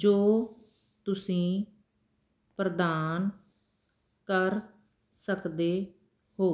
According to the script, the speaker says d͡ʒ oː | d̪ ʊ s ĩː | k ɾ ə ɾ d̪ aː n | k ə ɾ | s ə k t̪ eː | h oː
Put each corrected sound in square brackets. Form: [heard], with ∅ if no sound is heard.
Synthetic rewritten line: d͡ʒ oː | [t̪] ʊ s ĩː | [p] ɾ ə [∅] d̪ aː n | k ə ɾ | s ə k [d̪] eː | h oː

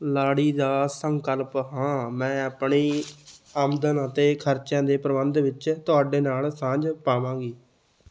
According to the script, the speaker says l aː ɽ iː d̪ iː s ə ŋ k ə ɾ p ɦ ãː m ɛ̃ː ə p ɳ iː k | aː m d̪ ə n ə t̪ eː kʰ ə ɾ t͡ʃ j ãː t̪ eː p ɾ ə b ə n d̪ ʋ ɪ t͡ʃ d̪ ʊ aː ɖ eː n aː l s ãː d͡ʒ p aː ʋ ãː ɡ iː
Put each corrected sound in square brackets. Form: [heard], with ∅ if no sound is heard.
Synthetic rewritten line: l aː ɽ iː d̪ [aː] s ə ŋ k ə [l] p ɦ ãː m ɛ̃ː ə p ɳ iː [∅] | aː m d̪ ə n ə t̪ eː kʰ ə ɾ t͡ʃ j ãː [d̪] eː p ɾ ə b ə n d̪ ʋ ɪ t͡ʃ [t̪] ʊ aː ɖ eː n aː l s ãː d͡ʒ p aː ʋ ãː ɡ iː

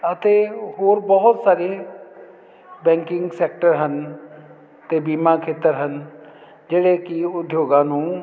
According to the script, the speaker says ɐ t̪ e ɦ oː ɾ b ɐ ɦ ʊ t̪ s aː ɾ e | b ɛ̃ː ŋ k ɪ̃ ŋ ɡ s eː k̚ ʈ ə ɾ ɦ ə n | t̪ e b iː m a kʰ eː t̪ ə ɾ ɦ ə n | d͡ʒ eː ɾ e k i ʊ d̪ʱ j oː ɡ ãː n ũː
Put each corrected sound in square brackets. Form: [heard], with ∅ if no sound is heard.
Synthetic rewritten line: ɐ t̪ e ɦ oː ɾ b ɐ ɦ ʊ t̪ s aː ɾ e | b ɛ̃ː ŋ k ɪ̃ ŋ ɡ s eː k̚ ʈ ə ɾ ɦ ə n | t̪ e b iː m a kʰ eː t̪ ə ɾ ɦ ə n | d͡ʒ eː [ɽ] e k i ʊ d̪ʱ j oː ɡ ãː n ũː

